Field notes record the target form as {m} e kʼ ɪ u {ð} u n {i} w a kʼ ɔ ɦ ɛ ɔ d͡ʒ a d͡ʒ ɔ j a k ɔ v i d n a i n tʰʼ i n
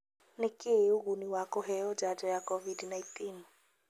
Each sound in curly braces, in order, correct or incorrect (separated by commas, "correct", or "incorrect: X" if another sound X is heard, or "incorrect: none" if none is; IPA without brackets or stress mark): incorrect: n, incorrect: ɣ, correct